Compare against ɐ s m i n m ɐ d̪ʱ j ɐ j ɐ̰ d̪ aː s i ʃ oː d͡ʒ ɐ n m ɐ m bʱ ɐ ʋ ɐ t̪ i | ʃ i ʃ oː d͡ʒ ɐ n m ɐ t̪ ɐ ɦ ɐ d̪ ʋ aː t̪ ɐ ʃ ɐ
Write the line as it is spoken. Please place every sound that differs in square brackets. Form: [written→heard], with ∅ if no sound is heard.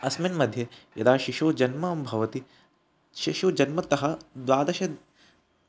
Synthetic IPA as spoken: ɐ s m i n m ɐ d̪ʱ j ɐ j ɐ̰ d̪ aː [s→ʃ] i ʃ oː d͡ʒ ɐ n m ɐ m bʱ ɐ ʋ ɐ t̪ i | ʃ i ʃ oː d͡ʒ ɐ n m ɐ t̪ ɐ ɦ ɐ d̪ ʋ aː [t̪→d̪] ɐ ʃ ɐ